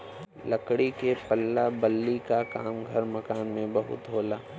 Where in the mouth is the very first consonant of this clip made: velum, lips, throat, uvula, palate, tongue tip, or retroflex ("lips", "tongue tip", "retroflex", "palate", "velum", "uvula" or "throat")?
tongue tip